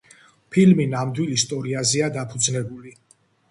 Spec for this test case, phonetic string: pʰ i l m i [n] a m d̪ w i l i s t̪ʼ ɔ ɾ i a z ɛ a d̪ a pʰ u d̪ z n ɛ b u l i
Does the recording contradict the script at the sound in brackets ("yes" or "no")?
no